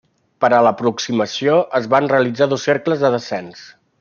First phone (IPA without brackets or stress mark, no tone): p